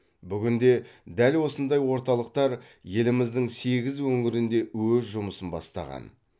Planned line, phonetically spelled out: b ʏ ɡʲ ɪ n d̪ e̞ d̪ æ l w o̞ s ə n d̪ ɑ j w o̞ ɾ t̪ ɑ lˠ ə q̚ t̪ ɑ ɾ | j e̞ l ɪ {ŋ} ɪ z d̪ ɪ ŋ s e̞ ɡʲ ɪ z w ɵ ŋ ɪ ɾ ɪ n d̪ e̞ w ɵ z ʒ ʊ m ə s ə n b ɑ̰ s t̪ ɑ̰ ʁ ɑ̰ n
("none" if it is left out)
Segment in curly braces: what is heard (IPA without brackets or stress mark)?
m